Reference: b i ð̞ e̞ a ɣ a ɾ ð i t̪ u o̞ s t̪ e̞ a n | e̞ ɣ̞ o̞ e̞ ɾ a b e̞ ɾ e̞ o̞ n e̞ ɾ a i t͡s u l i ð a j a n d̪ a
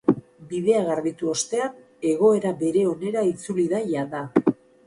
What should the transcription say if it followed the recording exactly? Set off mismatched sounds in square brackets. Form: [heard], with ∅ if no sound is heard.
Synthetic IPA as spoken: b i ð̞ e̞ a ɣ a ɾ ð i t̪ u o̞ s t̪ e̞ a n | e̞ ɣ̞ o̞ e̞ ɾ a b e̞ ɾ e̞ o̞ n e̞ ɾ a i t͡s u l i ð a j a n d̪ a